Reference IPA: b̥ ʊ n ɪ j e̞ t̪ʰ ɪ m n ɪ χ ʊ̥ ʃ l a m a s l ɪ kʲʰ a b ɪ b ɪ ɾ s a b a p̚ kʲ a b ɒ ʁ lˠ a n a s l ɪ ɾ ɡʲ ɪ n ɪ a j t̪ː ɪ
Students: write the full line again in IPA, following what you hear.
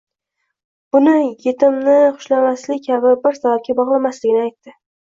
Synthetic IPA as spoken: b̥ ʊ n ɪ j e̞ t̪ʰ ɪ m n ɪ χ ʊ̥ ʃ l a m a s l ɪ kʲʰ a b ɪ b ɪ ɾ s a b a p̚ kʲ a b ɒ ʁ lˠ a m a s l ɪ ɡʲ ɪ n ɪ a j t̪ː ɪ